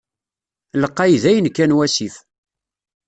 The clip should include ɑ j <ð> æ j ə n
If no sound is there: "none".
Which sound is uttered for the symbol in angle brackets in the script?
ð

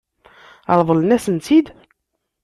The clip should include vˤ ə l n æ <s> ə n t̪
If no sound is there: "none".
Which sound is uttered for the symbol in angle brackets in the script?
s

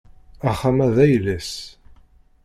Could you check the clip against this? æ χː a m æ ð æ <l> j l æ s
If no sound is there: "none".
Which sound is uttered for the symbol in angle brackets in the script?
none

